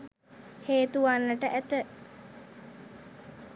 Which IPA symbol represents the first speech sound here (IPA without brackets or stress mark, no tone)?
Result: h